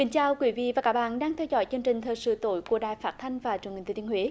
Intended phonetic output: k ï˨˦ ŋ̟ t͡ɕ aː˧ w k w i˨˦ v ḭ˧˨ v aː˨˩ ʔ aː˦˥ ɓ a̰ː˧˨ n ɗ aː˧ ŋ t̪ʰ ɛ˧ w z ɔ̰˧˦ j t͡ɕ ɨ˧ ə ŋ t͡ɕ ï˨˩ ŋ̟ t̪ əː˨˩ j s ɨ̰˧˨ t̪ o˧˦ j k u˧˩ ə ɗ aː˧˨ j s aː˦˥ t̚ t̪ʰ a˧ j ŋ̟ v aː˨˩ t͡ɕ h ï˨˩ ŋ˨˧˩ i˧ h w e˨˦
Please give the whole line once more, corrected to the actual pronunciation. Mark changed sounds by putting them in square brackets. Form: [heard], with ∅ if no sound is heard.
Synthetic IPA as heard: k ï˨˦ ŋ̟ t͡ɕ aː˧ w k w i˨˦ v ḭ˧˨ v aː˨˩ [k] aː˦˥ ɓ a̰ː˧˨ n ɗ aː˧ ŋ t̪ʰ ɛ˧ w z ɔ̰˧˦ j t͡ɕ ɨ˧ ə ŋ t͡ɕ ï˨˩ ŋ̟ [t̪ʰ] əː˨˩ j s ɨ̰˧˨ t̪ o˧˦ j k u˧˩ ə ɗ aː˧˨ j [f] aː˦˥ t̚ t̪ʰ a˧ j ŋ̟ v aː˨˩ t͡ɕ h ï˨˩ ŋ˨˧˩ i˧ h w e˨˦